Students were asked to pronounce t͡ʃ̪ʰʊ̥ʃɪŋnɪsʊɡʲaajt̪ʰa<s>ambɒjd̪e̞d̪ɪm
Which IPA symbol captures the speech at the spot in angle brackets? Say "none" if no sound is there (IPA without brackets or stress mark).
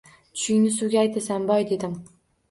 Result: s